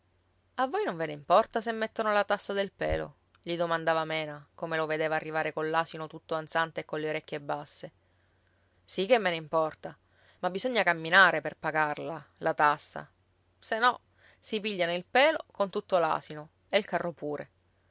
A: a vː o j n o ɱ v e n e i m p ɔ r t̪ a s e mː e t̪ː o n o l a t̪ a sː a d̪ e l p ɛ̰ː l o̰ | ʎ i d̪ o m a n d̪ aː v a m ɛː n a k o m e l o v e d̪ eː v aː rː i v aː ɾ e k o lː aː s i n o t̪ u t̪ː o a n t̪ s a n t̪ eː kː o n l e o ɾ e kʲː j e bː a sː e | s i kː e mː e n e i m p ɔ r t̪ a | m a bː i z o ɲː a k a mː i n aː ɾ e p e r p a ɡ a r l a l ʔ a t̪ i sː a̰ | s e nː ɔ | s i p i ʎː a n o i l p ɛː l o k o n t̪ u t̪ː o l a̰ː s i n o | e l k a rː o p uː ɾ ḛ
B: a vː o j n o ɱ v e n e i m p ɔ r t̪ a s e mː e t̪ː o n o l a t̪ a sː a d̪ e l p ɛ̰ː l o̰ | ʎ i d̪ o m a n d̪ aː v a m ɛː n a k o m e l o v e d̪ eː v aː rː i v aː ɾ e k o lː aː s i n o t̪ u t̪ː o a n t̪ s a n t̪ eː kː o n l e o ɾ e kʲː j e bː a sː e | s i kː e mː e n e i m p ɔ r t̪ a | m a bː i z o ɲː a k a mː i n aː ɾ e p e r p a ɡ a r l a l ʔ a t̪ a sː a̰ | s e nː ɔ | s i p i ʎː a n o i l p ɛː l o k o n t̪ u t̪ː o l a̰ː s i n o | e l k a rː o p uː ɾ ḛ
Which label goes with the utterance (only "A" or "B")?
B